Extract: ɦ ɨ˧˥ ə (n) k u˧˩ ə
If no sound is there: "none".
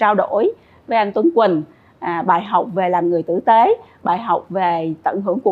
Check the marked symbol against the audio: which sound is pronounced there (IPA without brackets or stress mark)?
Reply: ŋ